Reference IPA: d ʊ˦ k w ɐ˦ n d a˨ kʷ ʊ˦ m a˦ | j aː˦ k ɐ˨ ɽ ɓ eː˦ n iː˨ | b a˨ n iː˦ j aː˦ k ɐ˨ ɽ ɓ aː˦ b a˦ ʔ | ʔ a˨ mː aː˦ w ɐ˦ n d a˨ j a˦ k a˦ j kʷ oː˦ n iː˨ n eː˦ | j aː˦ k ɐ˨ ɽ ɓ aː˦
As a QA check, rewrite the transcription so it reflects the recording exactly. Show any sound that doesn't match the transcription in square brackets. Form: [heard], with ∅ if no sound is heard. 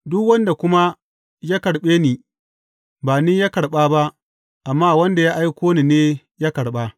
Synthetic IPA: d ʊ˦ k w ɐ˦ n d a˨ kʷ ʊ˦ m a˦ | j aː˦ k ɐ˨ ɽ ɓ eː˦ n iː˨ | b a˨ n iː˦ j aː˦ k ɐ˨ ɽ ɓ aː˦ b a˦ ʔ | ʔ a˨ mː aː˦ w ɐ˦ n d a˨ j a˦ [ʔ] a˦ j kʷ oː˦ n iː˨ n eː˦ | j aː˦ k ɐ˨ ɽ ɓ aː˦